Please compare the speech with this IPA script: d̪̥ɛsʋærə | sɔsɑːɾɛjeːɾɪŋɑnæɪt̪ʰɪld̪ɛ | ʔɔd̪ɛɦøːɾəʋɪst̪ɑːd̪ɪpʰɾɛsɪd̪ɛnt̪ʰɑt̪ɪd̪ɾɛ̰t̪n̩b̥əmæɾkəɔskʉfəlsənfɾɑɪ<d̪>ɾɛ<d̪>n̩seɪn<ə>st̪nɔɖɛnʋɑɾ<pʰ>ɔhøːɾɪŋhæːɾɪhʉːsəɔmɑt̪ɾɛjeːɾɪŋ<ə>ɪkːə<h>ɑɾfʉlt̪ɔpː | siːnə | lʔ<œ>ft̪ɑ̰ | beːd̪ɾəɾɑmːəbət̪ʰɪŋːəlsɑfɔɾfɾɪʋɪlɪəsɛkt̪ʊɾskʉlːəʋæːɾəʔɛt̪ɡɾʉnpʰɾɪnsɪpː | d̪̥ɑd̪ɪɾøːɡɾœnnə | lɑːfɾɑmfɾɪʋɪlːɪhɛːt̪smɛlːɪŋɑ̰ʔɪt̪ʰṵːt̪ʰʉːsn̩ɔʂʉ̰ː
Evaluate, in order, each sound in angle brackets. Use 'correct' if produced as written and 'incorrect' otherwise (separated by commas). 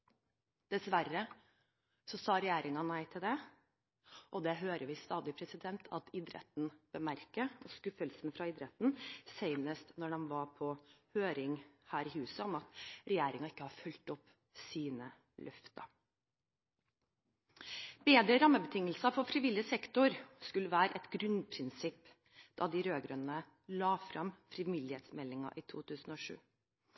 correct, incorrect, correct, correct, incorrect, correct, correct